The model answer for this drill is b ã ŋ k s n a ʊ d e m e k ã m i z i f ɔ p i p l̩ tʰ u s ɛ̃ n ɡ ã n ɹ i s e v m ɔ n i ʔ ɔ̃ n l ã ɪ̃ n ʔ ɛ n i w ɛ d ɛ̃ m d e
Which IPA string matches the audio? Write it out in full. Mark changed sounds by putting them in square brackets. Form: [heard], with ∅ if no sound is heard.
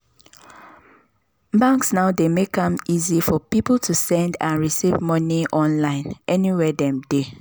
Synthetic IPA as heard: b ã ŋ k s n a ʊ d e m e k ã m i z i f ɔ p i p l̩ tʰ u s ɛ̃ n [d] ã n ɹ i s [i] v m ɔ n i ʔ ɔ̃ n l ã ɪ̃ n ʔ ɛ n i w ɛ d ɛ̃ m d e